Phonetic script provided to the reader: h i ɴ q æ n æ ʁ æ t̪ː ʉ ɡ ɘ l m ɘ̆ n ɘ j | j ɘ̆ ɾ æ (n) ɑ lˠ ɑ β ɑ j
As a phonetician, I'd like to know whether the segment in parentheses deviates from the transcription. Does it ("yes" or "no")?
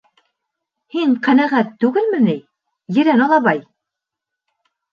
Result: no